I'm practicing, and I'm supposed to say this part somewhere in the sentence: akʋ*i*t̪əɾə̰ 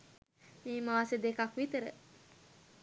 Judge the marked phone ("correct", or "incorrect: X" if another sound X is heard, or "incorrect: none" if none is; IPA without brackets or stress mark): correct